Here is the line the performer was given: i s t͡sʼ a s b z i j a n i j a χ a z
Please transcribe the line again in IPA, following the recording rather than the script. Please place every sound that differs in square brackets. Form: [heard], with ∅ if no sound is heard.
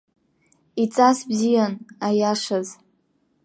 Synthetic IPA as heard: i [∅] t͡sʼ a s b z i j a n [a] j a [ʂ] a z